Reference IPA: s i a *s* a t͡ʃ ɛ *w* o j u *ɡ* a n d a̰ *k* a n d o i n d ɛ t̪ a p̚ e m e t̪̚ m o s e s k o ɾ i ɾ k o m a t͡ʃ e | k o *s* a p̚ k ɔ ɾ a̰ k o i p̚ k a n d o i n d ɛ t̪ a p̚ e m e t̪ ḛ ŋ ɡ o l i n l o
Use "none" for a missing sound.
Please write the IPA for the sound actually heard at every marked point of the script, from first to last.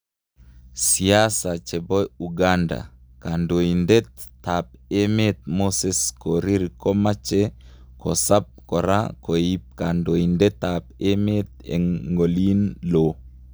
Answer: s, b, ɡ, k, s

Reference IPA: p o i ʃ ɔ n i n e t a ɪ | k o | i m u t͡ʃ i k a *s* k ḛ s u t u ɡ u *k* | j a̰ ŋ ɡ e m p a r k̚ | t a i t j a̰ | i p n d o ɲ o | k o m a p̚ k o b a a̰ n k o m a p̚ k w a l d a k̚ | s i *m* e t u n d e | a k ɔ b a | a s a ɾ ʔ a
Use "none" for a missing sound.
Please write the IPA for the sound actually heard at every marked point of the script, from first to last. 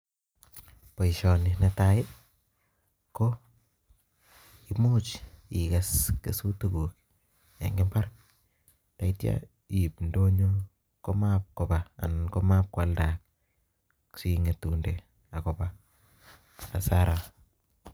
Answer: s, k, ŋ

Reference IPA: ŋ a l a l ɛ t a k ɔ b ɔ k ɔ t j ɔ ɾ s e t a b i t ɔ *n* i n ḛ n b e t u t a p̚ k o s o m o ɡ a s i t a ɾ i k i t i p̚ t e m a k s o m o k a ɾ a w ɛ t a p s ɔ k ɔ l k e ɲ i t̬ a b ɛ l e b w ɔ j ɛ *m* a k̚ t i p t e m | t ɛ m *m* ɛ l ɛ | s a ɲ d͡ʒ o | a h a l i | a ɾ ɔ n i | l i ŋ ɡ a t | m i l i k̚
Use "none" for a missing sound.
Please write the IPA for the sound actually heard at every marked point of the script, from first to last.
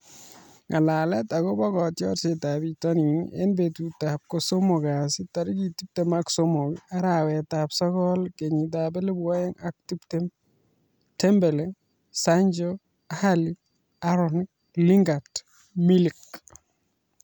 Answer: n, ŋ, b

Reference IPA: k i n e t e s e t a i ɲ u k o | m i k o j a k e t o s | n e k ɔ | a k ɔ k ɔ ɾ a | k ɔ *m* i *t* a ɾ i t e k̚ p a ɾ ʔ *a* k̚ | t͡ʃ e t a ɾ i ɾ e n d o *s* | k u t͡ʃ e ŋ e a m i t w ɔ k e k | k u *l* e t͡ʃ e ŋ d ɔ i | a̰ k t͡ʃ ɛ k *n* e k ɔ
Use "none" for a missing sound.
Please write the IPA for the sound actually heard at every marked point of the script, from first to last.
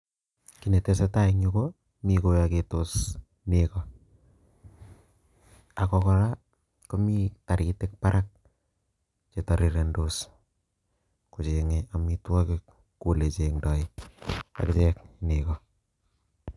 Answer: m, t, a, s, l, n

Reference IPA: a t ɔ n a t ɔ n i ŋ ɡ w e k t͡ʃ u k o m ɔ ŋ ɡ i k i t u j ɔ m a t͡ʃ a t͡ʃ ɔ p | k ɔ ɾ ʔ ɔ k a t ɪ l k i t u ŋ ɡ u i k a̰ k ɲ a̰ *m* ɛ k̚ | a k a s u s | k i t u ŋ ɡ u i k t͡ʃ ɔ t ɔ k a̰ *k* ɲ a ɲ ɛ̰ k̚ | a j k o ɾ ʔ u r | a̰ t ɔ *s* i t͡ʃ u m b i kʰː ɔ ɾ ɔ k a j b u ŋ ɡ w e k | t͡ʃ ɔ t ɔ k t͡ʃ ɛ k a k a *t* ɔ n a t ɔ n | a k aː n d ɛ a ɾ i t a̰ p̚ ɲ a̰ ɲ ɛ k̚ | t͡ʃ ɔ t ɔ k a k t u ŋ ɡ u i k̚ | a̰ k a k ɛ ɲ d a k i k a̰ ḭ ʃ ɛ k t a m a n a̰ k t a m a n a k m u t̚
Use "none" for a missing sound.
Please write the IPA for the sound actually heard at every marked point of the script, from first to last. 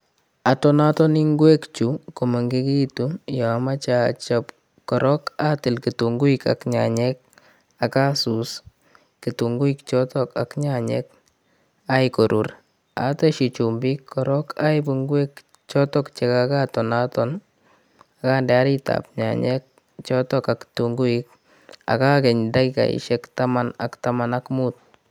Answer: ɲ, k, ʃ, t

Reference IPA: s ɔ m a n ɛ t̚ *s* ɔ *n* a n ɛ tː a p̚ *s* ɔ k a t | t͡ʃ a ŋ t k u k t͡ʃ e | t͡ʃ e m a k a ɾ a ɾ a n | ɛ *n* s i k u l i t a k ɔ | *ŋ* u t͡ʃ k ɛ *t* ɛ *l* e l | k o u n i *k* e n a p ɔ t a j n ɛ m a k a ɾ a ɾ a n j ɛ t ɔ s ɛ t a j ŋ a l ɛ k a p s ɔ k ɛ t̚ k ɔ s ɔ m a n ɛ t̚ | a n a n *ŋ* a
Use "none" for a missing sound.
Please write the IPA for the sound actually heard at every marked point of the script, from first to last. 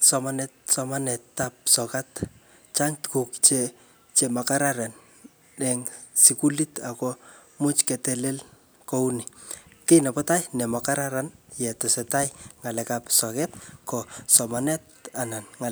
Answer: s, m, s, ŋ, m, t, l, k, ŋ

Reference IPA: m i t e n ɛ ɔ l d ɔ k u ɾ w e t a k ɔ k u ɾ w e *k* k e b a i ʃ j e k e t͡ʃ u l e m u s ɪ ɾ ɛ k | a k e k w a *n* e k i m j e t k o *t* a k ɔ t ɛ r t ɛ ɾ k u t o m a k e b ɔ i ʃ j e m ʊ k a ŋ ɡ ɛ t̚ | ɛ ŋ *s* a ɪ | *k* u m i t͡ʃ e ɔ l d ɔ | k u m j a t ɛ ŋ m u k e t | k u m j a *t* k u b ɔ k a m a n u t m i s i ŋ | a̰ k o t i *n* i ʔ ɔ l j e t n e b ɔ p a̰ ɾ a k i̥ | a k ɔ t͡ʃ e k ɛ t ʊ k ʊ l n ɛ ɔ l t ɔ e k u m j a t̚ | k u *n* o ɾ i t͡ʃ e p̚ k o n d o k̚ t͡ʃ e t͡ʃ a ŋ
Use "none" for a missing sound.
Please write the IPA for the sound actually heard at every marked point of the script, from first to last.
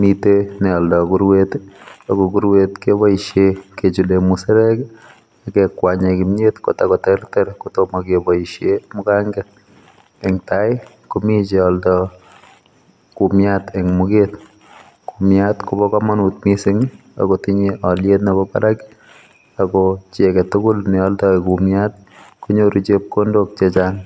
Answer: t, ɲ, t, t, k, t, ɲ, ɲ

